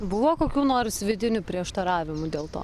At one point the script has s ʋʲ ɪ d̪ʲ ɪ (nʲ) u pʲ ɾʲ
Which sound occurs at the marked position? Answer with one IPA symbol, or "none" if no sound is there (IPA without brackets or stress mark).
nʲ